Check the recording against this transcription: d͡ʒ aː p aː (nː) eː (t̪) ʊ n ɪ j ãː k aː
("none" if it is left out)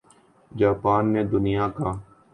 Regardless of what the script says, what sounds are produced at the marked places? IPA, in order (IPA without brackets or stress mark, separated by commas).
nː, d̪